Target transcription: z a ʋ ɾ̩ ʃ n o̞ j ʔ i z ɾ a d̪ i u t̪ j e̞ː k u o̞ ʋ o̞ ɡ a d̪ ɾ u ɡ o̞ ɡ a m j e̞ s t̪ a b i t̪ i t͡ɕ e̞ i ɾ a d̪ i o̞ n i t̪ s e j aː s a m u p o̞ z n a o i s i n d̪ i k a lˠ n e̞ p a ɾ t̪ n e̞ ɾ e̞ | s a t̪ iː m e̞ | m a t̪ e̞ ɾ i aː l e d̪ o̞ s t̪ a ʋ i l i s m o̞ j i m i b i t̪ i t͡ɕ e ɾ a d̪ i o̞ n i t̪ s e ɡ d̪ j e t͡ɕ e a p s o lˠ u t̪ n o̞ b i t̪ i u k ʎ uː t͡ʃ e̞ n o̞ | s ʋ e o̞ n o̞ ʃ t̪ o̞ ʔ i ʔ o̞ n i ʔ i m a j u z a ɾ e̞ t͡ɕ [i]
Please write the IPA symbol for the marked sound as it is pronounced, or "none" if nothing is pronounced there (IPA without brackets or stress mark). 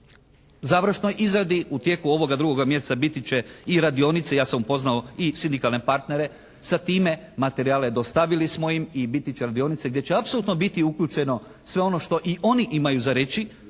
i